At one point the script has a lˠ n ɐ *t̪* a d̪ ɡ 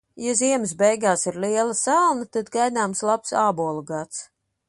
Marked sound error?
no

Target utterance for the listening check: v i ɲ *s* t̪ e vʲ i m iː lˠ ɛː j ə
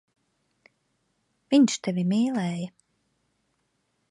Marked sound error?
yes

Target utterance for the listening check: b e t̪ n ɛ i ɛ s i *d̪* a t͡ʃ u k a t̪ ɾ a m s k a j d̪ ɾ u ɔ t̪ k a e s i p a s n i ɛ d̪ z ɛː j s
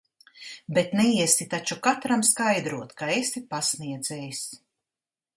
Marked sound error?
yes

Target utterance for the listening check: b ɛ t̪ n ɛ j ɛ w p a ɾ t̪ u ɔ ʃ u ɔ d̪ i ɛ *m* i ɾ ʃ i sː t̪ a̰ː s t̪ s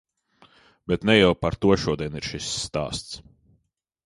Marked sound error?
yes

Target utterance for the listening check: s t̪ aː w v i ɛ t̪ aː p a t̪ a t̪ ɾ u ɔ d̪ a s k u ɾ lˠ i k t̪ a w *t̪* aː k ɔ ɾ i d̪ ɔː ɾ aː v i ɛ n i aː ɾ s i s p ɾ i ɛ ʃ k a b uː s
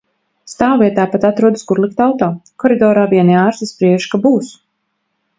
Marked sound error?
no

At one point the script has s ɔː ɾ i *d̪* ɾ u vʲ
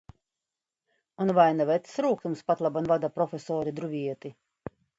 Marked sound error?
no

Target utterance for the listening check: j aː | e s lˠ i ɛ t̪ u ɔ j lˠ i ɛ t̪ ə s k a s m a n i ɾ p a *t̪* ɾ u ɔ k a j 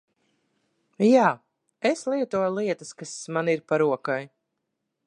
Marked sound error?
yes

